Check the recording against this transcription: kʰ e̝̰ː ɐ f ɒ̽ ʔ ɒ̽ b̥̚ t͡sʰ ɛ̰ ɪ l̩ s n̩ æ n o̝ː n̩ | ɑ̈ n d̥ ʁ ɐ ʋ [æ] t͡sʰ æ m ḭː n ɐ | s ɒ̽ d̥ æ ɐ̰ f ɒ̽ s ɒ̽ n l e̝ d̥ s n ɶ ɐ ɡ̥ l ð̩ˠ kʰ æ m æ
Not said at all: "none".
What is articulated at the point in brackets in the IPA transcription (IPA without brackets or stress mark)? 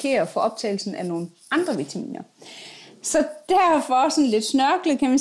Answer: i